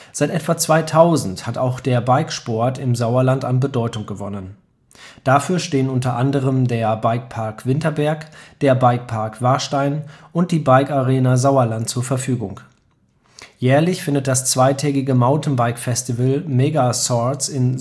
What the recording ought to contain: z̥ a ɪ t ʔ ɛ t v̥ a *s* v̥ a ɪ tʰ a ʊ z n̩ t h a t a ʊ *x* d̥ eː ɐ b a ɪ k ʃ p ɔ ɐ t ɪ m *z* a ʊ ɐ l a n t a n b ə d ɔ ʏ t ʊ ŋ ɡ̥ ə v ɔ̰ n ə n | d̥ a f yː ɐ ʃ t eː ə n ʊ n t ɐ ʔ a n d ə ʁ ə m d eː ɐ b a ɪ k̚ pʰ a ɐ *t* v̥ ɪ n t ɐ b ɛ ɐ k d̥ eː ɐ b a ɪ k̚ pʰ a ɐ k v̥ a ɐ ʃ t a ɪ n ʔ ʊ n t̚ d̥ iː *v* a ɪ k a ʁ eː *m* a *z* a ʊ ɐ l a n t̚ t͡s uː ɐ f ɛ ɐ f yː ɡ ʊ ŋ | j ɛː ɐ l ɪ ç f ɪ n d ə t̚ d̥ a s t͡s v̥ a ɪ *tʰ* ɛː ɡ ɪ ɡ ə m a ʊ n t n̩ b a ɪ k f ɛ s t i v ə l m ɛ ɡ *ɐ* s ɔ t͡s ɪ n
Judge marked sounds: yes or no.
no, yes, yes, no, no, no, yes, yes, no

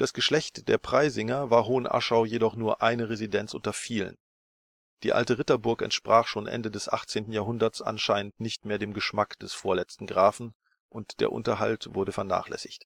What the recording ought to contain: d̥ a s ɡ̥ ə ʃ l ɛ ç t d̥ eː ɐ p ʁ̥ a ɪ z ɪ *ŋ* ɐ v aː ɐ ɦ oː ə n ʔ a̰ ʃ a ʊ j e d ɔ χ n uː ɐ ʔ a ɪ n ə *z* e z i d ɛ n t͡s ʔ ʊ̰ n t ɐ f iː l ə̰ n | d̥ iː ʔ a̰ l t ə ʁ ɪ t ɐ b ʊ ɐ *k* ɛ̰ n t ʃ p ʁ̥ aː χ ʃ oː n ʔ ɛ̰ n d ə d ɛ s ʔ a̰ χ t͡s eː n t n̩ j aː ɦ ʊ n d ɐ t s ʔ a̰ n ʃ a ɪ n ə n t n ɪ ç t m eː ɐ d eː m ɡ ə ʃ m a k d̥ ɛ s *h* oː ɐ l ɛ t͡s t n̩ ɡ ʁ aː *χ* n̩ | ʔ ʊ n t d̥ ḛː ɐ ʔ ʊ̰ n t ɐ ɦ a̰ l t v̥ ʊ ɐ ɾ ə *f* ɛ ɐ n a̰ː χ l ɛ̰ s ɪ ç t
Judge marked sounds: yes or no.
yes, no, yes, no, no, yes

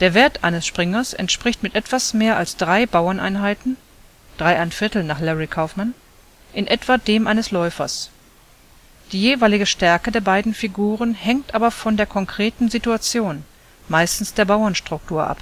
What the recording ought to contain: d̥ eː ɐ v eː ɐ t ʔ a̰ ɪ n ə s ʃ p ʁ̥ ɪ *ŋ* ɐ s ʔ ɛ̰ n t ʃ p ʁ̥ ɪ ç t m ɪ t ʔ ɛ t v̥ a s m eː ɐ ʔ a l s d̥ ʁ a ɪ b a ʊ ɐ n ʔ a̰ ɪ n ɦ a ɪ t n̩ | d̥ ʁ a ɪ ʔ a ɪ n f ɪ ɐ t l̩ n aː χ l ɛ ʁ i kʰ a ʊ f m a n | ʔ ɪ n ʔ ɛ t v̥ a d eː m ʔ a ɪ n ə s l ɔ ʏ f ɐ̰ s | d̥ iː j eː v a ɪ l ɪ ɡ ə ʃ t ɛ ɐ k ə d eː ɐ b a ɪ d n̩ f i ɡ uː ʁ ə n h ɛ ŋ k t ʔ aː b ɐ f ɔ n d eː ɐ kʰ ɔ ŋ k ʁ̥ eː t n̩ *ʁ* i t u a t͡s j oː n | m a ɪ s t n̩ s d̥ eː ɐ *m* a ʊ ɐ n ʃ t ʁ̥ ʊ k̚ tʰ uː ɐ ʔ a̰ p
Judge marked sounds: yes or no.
yes, no, no

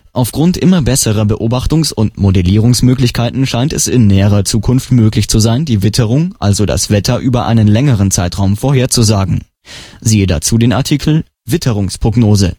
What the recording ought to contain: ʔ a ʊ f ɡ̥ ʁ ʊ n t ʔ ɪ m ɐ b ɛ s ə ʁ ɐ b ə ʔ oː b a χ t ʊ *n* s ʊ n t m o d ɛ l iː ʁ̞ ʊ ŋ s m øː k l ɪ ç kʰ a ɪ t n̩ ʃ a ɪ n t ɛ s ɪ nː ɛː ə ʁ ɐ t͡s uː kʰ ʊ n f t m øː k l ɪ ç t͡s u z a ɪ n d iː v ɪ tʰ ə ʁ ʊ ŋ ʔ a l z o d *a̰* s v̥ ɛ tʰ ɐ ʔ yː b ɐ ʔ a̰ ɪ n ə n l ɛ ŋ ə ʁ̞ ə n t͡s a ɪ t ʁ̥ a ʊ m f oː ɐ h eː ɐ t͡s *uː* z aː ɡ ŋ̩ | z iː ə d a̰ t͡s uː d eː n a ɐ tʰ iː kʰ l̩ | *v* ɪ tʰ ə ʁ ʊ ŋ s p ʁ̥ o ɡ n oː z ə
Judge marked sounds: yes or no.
no, yes, no, yes

